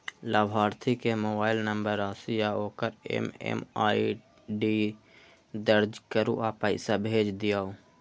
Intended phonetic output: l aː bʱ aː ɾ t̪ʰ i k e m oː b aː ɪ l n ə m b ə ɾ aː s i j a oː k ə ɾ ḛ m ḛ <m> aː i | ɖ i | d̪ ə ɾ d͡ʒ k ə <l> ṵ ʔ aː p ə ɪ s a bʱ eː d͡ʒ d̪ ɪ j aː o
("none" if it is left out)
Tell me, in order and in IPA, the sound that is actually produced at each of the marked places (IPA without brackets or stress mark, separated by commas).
m, ɾ